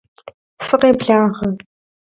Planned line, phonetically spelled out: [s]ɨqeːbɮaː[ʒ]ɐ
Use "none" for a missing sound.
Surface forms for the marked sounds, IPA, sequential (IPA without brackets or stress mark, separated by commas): f, ʁ